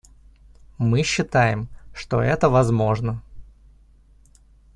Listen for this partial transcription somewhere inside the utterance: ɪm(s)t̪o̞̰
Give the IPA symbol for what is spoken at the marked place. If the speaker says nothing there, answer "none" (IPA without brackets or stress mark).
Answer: ʂ